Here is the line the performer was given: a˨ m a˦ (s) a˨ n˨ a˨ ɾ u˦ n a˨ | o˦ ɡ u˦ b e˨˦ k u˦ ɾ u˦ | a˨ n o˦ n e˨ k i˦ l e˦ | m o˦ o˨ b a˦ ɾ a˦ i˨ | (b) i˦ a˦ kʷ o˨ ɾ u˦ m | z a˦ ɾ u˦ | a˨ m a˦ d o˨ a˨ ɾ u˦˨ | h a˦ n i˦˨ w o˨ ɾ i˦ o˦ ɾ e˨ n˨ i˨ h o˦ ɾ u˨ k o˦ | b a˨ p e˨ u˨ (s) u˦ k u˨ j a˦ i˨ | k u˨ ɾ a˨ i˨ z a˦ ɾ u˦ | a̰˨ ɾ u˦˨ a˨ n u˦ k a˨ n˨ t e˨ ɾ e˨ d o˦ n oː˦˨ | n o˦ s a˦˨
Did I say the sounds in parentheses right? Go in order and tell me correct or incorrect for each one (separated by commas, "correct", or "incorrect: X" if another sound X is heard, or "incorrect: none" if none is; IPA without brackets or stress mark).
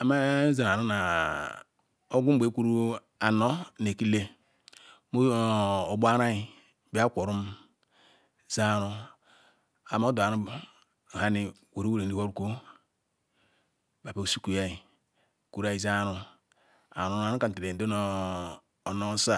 incorrect: z, correct, correct